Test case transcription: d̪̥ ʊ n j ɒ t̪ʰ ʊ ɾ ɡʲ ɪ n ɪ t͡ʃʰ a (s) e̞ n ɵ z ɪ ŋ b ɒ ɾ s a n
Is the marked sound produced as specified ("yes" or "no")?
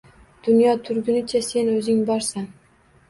yes